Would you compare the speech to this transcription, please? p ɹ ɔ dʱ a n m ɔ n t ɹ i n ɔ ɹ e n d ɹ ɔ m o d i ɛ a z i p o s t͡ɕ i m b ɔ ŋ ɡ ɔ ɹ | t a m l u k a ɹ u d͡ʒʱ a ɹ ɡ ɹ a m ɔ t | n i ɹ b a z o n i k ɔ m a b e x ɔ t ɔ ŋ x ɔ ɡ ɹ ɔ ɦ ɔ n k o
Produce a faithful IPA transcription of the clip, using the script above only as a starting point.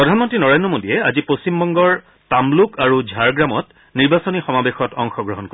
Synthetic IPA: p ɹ ɔ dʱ a n m ɔ n t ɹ i n ɔ ɹ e n d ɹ ɔ m o d i ɛ a z i p o s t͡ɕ i m b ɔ ŋ ɡ ɔ ɹ | t a m l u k a ɹ u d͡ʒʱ a ɹ ɡ ɹ a m ɔ t | n i ɹ b a s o n i x ɔ m a b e x ɔ t ɔ ŋ x ɔ ɡ ɹ ɔ ɦ ɔ n k o